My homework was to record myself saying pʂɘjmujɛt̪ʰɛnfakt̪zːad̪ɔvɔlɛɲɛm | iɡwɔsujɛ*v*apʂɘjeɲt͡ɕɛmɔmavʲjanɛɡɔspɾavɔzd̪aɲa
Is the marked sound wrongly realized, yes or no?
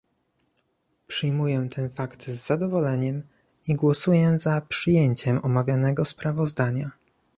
yes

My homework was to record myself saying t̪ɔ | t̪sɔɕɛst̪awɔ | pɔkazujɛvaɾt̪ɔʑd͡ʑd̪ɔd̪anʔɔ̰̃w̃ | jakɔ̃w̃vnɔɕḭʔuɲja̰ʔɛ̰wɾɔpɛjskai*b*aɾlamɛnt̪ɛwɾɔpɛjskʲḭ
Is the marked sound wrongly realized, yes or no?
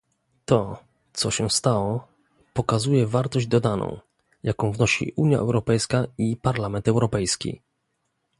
yes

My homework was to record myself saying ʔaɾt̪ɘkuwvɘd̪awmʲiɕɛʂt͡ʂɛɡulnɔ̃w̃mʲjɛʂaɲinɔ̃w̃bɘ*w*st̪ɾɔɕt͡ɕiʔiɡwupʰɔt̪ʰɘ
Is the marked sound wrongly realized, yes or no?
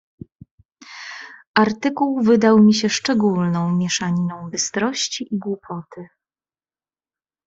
yes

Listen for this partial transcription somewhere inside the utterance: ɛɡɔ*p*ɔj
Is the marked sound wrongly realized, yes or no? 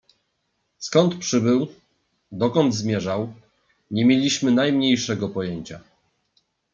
no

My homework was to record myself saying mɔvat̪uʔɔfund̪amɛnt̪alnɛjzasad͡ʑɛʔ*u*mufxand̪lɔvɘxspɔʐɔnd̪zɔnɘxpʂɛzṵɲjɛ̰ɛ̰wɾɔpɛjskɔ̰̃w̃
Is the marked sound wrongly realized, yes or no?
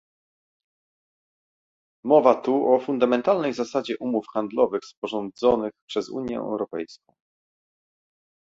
no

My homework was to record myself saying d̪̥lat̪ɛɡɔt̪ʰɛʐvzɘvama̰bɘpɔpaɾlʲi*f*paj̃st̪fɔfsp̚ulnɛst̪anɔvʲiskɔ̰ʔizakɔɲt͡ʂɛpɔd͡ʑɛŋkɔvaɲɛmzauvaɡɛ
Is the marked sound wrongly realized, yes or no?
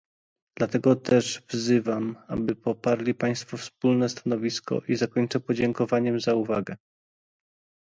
yes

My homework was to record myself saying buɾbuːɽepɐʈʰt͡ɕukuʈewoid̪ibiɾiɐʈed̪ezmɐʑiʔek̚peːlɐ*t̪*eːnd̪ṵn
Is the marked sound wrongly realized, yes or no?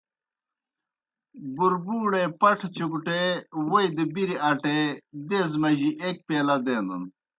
yes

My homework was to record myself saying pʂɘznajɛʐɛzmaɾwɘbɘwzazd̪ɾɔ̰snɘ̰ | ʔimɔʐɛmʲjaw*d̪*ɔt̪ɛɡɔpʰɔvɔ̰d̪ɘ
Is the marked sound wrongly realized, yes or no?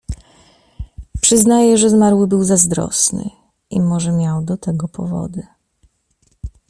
no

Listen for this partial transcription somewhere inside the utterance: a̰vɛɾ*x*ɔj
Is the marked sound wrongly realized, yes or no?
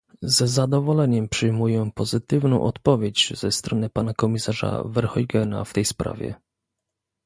no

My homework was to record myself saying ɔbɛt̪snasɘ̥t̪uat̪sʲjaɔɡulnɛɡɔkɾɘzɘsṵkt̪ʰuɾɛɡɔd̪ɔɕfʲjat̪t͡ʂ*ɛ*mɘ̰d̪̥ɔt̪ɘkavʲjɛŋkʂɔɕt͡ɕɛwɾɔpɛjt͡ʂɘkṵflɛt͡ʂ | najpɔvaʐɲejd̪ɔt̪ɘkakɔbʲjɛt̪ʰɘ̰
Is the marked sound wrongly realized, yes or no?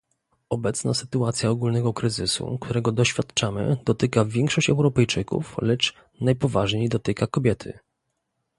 yes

